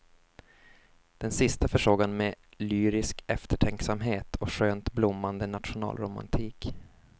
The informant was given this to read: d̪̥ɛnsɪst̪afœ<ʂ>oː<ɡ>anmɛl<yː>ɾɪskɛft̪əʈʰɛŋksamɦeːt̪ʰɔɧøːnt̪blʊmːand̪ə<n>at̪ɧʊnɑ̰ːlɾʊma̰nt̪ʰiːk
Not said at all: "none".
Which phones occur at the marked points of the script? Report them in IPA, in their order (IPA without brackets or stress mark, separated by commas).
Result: ʂ, ɡ, yː, n